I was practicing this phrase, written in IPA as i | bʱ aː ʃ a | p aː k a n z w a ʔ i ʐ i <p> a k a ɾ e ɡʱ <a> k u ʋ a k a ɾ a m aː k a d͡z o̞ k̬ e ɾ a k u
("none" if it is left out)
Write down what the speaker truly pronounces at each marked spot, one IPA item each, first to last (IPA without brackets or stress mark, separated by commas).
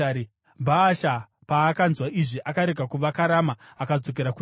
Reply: ʔ, a